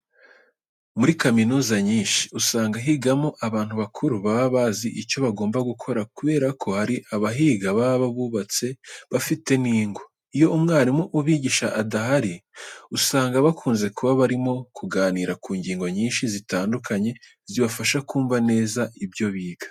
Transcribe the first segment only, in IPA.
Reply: m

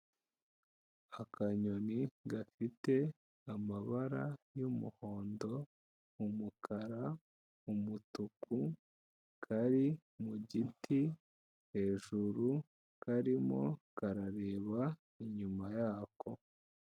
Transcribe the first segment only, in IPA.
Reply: a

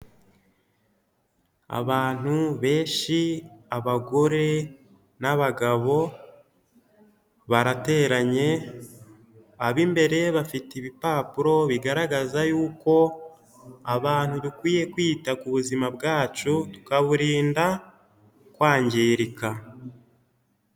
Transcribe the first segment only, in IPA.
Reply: a̰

